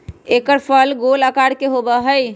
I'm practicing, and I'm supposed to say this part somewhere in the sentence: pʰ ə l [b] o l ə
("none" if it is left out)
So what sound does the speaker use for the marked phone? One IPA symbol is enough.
ɡ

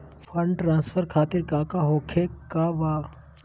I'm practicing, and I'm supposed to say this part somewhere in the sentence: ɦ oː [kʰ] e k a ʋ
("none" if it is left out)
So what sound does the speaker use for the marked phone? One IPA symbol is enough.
kʰ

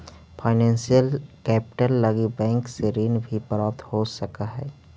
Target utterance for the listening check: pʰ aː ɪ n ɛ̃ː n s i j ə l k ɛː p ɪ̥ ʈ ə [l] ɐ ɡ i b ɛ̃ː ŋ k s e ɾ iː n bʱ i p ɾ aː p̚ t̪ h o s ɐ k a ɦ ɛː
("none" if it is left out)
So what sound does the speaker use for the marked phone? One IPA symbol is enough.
lː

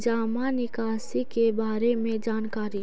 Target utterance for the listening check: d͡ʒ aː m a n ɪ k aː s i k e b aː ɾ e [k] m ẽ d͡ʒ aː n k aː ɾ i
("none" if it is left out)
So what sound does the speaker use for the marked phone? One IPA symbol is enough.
none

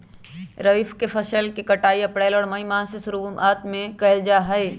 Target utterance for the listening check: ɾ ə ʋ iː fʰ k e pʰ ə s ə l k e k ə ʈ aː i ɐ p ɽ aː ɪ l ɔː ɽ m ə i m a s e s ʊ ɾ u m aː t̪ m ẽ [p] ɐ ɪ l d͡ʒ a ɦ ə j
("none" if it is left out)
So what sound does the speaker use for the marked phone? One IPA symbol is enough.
k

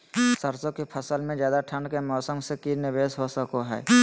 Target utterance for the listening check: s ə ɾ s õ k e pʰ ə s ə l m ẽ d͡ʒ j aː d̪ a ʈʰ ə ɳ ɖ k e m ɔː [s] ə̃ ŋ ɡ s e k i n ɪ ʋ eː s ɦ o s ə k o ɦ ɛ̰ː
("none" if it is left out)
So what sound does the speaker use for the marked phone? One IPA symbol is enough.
s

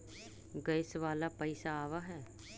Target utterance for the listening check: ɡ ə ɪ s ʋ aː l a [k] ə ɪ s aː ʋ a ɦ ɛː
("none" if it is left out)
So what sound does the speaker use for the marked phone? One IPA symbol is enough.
p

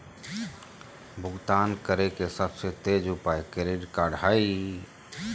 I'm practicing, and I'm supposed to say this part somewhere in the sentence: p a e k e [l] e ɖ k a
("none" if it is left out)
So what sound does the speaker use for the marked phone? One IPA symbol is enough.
ɾ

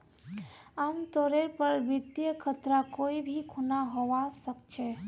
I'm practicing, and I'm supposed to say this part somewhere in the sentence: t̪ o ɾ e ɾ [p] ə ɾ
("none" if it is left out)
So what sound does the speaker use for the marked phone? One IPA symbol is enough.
p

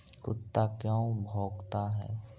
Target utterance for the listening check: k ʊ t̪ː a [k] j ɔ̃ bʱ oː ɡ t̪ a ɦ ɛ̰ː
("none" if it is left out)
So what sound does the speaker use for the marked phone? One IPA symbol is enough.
k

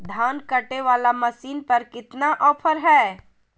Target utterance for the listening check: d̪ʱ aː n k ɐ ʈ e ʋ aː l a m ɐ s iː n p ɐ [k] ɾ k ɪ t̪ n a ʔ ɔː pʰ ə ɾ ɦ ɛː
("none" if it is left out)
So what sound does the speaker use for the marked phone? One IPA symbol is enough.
none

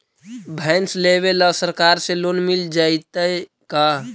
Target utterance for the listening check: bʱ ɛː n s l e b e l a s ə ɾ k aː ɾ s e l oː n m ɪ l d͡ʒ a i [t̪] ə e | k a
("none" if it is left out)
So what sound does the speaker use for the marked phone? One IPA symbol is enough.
t̪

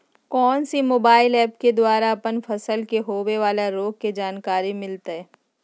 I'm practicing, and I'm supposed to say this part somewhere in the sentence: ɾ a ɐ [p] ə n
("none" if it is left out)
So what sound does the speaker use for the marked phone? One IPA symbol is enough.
p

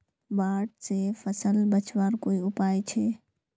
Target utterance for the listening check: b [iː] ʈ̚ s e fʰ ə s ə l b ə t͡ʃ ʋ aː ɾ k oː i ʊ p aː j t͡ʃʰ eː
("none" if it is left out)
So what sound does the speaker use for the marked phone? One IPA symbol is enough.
aː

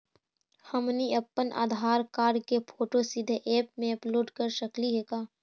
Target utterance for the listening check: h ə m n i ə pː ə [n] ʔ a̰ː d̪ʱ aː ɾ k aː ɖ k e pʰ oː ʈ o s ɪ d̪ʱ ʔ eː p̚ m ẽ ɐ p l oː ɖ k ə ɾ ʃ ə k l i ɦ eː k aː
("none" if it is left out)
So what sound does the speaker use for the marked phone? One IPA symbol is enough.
n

